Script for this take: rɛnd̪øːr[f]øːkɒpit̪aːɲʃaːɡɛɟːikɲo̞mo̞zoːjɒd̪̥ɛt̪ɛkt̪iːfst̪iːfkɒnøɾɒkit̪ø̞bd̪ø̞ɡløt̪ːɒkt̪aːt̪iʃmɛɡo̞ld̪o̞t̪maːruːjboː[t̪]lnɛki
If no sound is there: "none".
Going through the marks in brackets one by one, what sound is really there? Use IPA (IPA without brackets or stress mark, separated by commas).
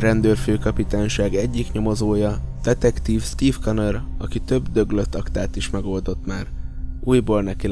f, none